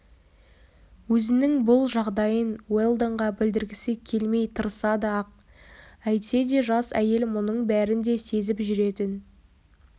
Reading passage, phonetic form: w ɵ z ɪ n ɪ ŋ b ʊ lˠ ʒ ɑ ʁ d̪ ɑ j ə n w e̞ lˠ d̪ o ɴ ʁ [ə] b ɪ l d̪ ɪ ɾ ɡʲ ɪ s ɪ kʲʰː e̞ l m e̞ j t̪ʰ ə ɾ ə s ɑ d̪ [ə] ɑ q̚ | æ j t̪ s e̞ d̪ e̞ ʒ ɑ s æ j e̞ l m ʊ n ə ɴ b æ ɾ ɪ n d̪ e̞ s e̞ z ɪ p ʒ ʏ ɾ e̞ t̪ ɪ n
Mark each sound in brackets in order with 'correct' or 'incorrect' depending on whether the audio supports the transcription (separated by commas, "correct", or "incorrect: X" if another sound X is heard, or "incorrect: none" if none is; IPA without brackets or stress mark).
incorrect: ɑ, correct